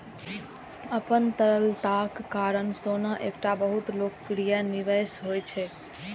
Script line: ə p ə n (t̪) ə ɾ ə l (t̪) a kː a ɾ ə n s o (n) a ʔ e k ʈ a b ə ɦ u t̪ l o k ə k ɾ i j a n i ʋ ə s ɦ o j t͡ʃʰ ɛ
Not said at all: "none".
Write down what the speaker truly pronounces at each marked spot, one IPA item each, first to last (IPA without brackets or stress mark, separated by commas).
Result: t̪, t̪, n